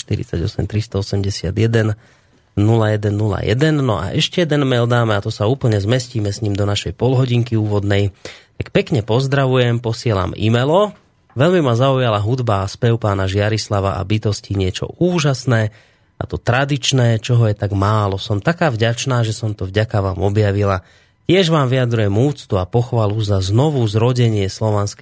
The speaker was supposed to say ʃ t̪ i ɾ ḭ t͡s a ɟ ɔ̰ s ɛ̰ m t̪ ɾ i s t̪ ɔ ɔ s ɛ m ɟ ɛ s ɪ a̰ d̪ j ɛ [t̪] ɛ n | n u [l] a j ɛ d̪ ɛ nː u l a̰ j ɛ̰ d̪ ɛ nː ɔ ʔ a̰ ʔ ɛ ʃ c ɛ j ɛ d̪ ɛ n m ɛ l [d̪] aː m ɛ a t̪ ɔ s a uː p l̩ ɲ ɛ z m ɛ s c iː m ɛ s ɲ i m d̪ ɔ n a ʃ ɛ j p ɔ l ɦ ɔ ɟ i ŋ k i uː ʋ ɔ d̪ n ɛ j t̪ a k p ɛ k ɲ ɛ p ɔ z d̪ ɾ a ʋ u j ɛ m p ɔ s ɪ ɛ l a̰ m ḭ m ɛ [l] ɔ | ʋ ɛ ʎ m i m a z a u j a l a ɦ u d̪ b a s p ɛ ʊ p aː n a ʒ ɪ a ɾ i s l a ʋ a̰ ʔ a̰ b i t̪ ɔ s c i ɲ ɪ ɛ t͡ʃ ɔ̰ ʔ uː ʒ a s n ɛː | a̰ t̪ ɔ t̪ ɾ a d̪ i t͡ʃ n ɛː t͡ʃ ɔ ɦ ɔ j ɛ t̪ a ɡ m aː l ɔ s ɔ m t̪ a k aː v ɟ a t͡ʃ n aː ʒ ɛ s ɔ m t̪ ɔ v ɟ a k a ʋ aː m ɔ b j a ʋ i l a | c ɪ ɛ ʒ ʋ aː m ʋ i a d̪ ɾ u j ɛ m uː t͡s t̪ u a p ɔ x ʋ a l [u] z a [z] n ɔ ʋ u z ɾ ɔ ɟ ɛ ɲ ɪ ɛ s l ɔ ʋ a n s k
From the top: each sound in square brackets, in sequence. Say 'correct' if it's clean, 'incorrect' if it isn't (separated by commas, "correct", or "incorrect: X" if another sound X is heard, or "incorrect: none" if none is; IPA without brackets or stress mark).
incorrect: d̪, correct, correct, correct, correct, correct